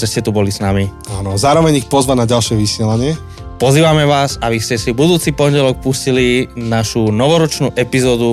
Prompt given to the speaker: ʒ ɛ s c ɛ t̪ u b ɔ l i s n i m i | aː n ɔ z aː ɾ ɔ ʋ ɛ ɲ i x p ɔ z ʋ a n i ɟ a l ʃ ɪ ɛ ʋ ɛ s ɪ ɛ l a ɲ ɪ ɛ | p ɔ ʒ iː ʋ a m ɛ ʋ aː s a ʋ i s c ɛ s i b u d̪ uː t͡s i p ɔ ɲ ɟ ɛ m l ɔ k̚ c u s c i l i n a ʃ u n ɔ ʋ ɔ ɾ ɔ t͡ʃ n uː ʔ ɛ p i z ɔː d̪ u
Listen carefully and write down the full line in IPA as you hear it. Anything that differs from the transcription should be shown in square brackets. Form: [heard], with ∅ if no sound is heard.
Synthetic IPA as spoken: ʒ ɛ s c ɛ t̪ u b ɔ l i s n [a] m i | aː n ɔ z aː ɾ ɔ ʋ ɛ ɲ i x p ɔ z ʋ a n [a] ɟ a l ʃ ɪ ɛ ʋ [i] s ɪ ɛ l a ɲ ɪ ɛ | p ɔ [z] iː ʋ a m ɛ ʋ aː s a ʋ i s c ɛ s i b u d̪ uː t͡s i p ɔ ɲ ɟ ɛ [∅] l ɔ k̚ [p] u s c i l i n a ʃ u n ɔ ʋ ɔ ɾ ɔ t͡ʃ n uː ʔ ɛ p i z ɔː d̪ u